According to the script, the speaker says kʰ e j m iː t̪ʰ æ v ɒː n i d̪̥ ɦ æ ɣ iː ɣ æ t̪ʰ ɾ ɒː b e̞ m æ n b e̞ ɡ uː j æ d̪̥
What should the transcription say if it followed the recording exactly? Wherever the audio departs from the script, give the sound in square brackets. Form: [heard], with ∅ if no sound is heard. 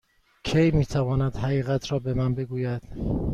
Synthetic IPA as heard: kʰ e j m iː t̪ʰ æ v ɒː n [æ] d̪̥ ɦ æ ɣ iː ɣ æ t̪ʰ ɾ ɒː b e̞ m æ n b e̞ ɡ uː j æ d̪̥